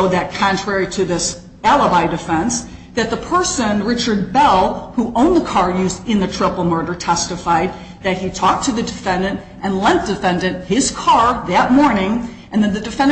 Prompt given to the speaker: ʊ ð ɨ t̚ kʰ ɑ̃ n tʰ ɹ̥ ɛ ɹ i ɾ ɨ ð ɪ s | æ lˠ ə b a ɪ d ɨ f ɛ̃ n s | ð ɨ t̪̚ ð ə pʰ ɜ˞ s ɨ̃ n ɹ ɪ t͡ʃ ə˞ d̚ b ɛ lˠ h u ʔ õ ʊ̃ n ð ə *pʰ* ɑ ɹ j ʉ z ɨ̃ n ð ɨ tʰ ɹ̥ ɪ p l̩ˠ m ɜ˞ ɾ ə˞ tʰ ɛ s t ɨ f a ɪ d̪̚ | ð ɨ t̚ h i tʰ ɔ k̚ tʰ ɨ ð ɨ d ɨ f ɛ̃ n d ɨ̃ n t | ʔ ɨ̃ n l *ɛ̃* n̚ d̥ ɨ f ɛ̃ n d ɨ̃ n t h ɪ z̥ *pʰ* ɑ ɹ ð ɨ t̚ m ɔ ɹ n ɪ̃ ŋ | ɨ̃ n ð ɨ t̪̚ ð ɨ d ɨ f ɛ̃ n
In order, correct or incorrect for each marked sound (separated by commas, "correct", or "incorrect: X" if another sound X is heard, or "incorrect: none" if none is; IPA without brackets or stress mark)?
incorrect: kʰ, correct, incorrect: kʰ